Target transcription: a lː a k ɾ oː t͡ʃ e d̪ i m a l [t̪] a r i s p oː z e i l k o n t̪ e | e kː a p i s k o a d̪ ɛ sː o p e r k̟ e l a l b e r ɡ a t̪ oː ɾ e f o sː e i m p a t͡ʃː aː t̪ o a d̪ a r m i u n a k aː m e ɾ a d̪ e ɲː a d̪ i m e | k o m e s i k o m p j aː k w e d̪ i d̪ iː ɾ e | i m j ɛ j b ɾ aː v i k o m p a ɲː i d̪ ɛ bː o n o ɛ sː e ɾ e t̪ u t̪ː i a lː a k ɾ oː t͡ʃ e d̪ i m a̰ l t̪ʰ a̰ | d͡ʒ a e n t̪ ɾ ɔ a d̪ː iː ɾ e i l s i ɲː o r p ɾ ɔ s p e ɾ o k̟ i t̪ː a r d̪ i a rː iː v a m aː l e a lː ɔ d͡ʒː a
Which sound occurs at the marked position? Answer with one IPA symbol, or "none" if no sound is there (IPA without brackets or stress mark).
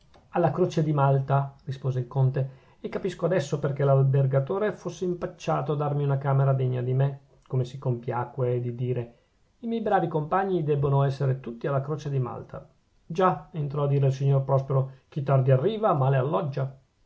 t̪